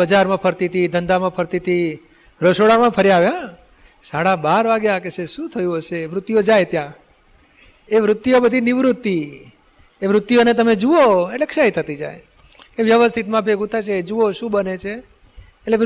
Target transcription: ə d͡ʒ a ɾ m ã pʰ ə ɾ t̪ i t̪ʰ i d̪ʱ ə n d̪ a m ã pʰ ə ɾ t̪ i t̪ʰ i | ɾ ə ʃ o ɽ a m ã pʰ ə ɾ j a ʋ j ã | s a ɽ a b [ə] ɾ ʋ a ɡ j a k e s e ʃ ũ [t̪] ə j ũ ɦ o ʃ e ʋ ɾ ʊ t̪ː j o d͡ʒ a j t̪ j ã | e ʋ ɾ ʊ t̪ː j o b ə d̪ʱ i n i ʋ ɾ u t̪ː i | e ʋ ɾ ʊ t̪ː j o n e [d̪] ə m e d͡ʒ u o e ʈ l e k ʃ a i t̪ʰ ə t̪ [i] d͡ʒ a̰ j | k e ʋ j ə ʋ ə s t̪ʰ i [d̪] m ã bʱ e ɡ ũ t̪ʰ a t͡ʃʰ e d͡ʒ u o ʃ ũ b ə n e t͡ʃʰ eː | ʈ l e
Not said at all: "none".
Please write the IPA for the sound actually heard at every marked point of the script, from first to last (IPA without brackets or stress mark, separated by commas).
a, t̪ʰ, t̪, i, t̪